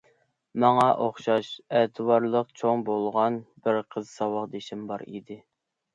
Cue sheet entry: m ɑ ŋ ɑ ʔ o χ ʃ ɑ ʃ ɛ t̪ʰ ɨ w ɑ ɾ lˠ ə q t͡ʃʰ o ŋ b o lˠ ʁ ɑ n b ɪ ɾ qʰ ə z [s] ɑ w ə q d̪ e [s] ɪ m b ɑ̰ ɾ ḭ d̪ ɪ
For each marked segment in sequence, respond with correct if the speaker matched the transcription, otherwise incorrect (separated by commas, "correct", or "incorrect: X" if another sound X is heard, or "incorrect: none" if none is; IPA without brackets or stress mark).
correct, incorrect: ʃ